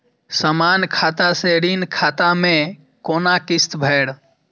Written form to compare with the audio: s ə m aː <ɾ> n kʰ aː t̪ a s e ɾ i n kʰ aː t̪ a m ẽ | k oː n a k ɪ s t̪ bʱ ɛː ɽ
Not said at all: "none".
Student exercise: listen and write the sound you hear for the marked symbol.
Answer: none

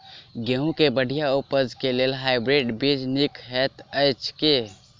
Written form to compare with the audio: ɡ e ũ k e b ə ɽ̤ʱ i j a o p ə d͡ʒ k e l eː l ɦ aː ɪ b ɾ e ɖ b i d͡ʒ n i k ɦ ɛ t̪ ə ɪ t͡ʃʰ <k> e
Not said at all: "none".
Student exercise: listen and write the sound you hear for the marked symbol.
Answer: k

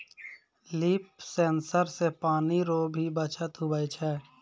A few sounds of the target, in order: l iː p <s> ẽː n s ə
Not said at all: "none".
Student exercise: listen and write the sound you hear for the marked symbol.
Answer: s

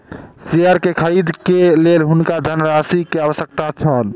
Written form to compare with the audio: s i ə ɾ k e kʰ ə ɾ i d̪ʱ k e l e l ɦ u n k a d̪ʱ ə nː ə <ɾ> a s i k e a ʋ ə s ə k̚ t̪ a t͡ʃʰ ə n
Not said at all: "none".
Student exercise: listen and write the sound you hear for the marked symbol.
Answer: ɾ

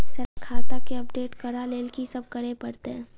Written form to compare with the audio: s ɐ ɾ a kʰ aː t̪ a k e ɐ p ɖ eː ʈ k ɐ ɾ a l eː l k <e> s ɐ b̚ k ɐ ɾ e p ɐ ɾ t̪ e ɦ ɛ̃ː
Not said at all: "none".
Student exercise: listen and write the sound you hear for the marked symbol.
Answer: i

